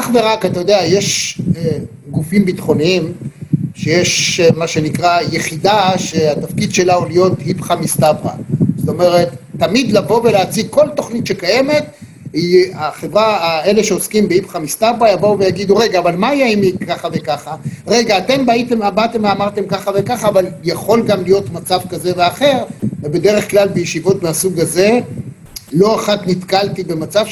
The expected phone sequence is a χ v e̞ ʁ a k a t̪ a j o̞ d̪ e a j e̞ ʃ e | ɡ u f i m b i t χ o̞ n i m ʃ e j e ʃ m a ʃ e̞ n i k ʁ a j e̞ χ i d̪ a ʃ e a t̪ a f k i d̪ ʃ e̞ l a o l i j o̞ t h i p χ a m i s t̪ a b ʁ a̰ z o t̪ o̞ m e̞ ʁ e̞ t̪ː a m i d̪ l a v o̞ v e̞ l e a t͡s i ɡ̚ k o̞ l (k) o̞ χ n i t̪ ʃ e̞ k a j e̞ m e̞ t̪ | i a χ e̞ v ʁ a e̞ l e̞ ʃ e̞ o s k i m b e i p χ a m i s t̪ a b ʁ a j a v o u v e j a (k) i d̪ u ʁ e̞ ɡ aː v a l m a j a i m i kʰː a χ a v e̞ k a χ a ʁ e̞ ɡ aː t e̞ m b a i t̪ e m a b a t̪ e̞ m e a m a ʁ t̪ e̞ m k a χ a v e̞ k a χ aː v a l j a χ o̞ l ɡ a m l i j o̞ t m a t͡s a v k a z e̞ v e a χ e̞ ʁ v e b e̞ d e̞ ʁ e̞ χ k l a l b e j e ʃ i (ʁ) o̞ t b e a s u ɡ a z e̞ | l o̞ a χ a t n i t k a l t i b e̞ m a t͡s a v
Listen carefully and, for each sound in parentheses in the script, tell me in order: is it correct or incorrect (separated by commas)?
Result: incorrect, incorrect, incorrect